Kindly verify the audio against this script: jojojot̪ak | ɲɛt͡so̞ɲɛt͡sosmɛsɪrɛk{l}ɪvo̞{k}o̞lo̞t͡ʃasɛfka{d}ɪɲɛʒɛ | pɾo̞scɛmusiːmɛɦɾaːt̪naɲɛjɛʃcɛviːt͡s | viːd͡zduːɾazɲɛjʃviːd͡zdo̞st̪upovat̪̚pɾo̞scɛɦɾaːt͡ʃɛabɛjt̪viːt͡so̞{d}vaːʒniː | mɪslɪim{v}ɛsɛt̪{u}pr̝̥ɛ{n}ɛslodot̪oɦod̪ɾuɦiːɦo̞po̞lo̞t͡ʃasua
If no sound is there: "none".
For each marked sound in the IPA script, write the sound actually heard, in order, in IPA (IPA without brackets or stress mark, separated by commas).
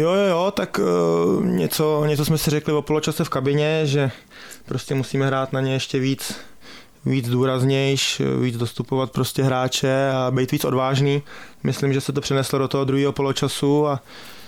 l, p, b, d, ʒ, o, n